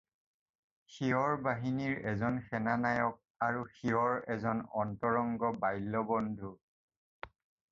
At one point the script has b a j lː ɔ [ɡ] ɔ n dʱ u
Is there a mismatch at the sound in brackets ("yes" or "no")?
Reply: yes